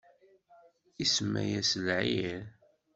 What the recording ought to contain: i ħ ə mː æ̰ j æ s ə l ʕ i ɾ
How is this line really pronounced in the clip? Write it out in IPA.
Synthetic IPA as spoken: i s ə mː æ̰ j æ s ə l ʕ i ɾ